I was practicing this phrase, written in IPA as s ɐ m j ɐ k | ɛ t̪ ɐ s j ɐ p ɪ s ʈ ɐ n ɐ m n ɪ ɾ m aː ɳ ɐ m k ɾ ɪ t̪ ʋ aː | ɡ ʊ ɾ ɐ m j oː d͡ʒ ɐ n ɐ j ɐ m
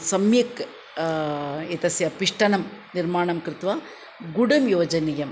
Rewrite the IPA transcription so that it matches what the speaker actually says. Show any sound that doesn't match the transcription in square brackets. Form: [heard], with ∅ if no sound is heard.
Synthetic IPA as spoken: s ɐ m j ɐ k | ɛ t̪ ɐ s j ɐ p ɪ [ʂ] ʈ ɐ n ɐ m n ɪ ɾ m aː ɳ ɐ m k ɾ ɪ t̪ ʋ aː | ɡ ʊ [ɽ] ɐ m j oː d͡ʒ ɐ n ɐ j ɐ m

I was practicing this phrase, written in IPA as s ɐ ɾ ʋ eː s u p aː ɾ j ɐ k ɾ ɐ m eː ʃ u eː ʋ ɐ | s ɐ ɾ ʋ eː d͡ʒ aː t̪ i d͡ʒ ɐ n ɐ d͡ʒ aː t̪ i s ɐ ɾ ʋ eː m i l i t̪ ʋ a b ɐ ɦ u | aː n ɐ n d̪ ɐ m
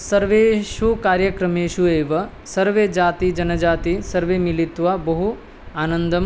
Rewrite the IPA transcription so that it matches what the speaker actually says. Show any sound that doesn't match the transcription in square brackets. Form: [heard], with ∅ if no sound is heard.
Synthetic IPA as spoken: s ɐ ɾ ʋ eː [ʃ] u [k] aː ɾ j ɐ k ɾ ɐ m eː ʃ u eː ʋ ɐ | s ɐ ɾ ʋ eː d͡ʒ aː t̪ i d͡ʒ ɐ n ɐ d͡ʒ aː t̪ i s ɐ ɾ ʋ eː m i l i t̪ ʋ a b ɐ ɦ u | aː n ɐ n d̪ ɐ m

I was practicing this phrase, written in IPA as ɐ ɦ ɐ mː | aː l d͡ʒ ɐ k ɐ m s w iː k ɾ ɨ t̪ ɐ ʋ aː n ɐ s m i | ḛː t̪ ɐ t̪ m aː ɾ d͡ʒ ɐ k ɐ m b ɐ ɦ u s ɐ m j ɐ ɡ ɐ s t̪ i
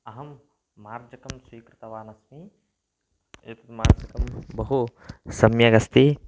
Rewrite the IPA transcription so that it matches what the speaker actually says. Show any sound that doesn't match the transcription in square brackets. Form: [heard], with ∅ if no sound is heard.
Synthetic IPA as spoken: ɐ ɦ ɐ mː | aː [ɾ] d͡ʒ ɐ k ɐ m s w iː k ɾ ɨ t̪ ɐ ʋ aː n ɐ s m i | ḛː t̪ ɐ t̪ m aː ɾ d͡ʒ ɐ k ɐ m b ɐ ɦ u s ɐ m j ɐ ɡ ɐ s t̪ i

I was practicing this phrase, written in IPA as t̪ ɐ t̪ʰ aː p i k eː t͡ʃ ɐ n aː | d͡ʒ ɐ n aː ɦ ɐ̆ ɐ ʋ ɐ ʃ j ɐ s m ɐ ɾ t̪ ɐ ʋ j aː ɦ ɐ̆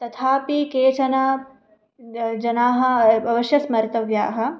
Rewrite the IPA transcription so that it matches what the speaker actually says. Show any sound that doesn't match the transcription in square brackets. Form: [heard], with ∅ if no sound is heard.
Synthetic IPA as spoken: t̪ ɐ t̪ʰ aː p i k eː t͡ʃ ɐ n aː | d͡ʒ ɐ n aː ɦ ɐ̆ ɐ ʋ ɐ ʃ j ɐ s m ɐ ɾ t̪ ɐ ʋ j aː ɦ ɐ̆

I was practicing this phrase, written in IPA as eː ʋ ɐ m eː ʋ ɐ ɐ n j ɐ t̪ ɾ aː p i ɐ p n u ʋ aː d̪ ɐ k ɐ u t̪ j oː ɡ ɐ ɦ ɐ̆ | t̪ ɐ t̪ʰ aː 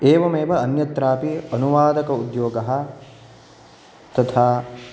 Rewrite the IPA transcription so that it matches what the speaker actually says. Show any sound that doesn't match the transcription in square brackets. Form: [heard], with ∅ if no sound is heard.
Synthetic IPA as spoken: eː ʋ ɐ m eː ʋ ɐ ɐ n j ɐ t̪ ɾ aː p i ɐ [∅] n u ʋ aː d̪ ɐ k ɐ u [d̪] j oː ɡ ɐ ɦ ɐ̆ | t̪ ɐ t̪ʰ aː

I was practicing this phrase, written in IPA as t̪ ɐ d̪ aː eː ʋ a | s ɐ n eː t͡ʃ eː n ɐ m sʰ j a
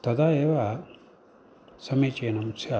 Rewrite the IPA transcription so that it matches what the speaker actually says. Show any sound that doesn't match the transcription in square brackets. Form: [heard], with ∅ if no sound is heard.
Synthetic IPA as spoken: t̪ ɐ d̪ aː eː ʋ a | s ɐ [m] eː t͡ʃ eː n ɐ m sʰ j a

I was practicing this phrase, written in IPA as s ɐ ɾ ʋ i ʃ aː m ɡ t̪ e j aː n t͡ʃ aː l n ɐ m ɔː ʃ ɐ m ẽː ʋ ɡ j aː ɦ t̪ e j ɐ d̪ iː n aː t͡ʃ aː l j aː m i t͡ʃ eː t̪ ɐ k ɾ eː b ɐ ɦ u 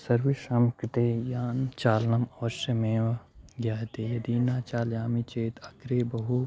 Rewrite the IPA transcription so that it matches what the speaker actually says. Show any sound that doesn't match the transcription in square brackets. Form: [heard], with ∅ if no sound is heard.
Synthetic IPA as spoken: s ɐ ɾ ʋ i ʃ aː m [k] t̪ e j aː n t͡ʃ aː l n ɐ m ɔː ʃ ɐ m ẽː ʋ ɡ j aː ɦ t̪ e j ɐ d̪ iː n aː t͡ʃ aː l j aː m i t͡ʃ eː t̪ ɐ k ɾ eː b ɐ ɦ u

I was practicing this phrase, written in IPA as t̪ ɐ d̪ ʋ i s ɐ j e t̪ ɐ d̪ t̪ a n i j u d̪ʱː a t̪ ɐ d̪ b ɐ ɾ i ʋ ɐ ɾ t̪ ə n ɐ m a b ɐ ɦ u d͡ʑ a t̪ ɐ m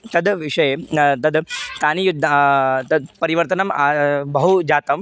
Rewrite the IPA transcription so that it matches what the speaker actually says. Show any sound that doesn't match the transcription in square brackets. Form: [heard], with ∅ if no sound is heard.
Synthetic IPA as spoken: t̪ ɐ d̪ ʋ i [ʂ] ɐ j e t̪ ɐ d̪ t̪ a n i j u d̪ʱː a t̪ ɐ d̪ [p] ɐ ɾ i ʋ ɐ ɾ t̪ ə n ɐ m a b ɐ ɦ u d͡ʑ a t̪ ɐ m

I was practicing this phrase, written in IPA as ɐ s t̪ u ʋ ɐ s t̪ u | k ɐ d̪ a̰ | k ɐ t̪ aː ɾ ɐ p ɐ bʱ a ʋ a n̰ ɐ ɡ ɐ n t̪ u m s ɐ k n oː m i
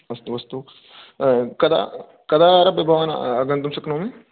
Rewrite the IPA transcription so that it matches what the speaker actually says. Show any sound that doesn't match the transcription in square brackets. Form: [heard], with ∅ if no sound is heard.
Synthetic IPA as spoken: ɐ s t̪ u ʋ ɐ s t̪ u | k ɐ d̪ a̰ | k ɐ [d̪] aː ɾ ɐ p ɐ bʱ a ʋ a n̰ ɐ ɡ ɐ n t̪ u m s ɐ k n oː m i

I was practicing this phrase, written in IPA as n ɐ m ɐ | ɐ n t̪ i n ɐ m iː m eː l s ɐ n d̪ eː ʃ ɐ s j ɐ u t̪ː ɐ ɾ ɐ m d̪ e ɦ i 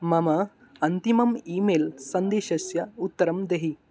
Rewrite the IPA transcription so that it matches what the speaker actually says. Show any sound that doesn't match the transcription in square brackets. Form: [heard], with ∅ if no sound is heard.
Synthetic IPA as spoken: [m] ɐ m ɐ | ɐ n t̪ i [m] ɐ m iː m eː l s ɐ n d̪ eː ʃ ɐ s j ɐ u t̪ː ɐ ɾ ɐ m d̪ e ɦ i

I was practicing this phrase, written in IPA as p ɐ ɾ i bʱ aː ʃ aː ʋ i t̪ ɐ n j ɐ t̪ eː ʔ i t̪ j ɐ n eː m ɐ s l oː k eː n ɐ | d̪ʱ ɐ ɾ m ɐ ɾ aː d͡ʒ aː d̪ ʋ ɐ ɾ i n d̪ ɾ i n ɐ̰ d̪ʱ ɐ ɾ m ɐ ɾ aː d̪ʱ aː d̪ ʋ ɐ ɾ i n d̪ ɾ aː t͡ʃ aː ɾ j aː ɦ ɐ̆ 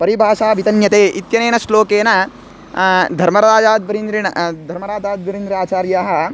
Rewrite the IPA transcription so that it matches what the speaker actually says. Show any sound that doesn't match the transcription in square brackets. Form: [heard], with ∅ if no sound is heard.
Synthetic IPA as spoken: p ɐ ɾ i bʱ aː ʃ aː ʋ i t̪ ɐ n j ɐ t̪ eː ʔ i t̪ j ɐ n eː [n] ɐ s l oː k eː n ɐ | d̪ʱ ɐ ɾ m ɐ ɾ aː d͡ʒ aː d̪ ʋ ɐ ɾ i n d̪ ɾ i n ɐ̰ d̪ʱ ɐ ɾ m ɐ ɾ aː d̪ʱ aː d̪ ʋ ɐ ɾ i n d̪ ɾ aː t͡ʃ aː ɾ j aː ɦ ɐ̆

